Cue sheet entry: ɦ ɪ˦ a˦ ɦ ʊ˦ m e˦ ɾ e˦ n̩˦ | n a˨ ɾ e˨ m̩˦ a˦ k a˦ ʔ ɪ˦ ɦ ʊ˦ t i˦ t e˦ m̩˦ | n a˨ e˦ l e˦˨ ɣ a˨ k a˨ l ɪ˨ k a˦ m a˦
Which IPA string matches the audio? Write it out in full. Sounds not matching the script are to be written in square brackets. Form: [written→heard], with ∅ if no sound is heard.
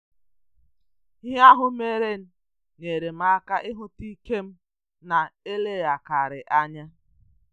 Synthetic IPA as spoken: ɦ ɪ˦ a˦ ɦ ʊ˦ m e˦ ɾ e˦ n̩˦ | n [a˨→e˨] ɾ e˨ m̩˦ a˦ k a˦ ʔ ɪ˦ ɦ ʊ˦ t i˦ [t→k] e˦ m̩˦ | n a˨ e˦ l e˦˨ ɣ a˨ k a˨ [l→ɾ] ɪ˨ [k→ʔ] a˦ [m→ɲ] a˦